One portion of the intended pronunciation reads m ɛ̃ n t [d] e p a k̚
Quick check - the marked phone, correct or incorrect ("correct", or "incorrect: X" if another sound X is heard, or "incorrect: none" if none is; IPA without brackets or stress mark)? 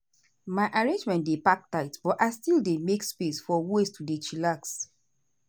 correct